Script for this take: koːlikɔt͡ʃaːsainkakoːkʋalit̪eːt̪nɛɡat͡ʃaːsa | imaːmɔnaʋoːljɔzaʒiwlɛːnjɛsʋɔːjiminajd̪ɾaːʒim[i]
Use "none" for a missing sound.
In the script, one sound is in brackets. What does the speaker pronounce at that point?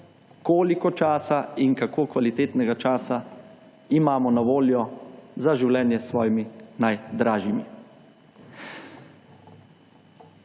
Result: i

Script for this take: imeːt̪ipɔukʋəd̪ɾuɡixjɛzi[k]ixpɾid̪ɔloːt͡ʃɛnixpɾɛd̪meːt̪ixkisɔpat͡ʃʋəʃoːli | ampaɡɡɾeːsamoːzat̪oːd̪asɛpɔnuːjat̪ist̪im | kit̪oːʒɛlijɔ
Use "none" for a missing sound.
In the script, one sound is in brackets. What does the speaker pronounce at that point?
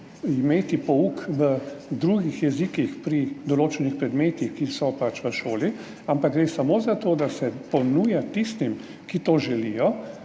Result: k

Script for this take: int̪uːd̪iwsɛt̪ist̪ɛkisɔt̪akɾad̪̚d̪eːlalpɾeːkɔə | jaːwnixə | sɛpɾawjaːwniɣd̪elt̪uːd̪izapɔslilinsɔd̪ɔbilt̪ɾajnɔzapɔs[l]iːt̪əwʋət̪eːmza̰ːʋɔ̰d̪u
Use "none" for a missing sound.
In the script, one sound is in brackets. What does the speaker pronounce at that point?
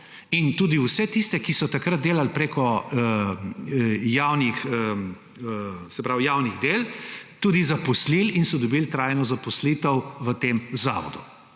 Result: l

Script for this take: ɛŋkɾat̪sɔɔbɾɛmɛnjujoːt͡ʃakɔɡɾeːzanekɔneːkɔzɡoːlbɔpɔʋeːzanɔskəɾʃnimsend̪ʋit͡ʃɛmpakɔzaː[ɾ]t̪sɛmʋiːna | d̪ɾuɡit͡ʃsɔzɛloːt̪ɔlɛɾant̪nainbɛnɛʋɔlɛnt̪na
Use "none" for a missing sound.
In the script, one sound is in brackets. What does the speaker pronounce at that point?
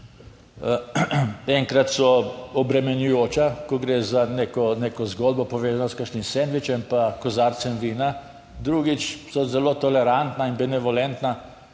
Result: ɾ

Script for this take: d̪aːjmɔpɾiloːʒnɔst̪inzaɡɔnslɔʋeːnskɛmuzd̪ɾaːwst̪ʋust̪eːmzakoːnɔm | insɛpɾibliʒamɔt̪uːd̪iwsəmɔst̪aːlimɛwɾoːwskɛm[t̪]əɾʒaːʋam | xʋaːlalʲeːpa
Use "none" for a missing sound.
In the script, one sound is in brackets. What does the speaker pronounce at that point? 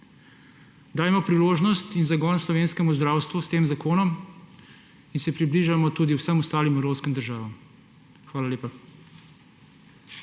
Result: d̪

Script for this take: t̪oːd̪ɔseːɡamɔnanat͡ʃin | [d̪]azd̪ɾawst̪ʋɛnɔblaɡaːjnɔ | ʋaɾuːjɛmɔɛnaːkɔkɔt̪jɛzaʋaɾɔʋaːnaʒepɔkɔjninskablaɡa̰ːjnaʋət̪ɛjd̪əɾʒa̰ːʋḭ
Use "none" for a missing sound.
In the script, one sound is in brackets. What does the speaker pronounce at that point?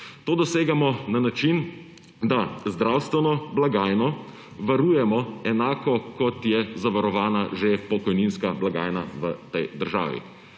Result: d̪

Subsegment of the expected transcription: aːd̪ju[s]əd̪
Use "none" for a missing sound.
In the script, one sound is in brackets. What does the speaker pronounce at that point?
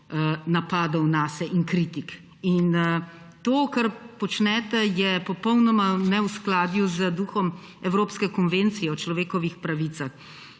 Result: z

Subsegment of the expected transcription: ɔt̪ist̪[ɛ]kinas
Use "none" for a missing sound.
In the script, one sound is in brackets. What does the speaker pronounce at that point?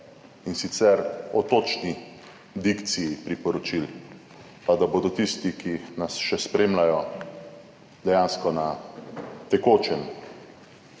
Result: i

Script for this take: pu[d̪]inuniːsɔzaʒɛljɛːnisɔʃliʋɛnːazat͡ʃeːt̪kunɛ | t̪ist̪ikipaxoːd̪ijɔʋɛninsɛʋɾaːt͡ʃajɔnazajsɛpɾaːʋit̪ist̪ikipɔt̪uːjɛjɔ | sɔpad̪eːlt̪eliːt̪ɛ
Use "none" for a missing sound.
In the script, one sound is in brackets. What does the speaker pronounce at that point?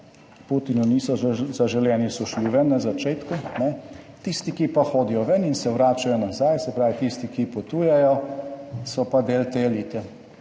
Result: t̪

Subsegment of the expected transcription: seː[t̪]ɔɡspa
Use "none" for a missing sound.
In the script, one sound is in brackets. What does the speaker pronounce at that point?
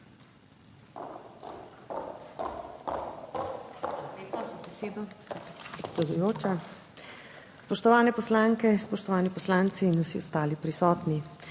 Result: d̪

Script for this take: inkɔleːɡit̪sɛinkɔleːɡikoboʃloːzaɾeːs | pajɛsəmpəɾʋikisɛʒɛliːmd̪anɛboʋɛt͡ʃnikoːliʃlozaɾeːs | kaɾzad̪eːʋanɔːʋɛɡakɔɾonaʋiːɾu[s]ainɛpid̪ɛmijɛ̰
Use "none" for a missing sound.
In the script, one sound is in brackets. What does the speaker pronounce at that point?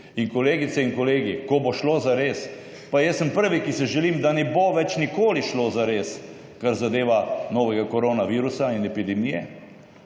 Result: s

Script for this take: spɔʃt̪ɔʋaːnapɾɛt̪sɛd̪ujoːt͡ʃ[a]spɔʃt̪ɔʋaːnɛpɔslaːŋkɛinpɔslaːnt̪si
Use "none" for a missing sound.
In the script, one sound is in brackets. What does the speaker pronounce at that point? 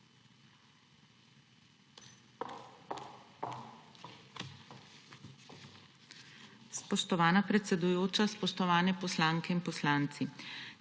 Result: a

